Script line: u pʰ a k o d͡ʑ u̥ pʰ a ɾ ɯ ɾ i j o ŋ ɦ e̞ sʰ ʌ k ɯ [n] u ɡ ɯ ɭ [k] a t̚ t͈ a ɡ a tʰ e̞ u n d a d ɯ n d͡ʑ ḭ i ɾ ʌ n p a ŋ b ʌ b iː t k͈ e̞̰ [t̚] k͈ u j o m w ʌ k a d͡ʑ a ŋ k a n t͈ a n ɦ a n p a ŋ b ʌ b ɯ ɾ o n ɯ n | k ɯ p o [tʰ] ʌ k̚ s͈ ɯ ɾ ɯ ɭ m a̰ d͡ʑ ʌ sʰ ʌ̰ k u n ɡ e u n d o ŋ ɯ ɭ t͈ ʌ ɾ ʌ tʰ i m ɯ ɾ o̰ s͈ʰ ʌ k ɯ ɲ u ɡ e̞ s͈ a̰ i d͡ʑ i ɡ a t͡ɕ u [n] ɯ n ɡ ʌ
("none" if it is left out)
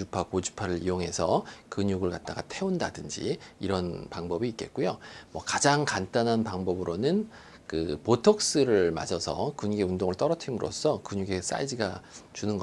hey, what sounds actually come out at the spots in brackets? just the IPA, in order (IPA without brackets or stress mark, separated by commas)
ɲ, k, t̚, tʰ, n